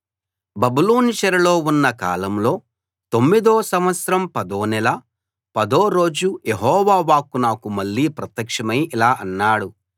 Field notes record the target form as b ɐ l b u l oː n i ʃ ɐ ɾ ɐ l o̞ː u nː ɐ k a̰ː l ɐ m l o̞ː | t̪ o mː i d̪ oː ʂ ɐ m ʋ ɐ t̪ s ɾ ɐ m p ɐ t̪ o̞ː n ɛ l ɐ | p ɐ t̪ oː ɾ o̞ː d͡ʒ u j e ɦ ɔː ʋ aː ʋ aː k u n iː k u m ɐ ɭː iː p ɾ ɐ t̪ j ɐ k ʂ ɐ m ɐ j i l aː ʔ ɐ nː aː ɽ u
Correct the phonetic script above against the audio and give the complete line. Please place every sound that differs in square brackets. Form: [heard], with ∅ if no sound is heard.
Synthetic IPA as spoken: b ɐ [∅] b u l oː n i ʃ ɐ ɾ ɐ l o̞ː u nː ɐ k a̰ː l ɐ m l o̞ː | t̪ o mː i d̪ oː [s] ɐ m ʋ ɐ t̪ s ɾ ɐ m p ɐ [d̪] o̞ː n ɛ l ɐ | p ɐ [d̪] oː ɾ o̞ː d͡ʒ u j e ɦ ɔː ʋ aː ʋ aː k u n [aː] k u m ɐ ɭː iː p ɾ ɐ t̪ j ɐ k ʂ ɐ m ɐ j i l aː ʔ ɐ nː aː ɽ u